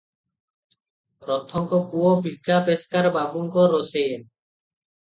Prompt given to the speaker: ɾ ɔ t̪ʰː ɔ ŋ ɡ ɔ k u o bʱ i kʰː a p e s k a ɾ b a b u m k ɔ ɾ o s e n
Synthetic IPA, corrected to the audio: ɾ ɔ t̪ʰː ɔ ŋ k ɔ k u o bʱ i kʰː a p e s k a ɾ b a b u ŋ k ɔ ɾ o s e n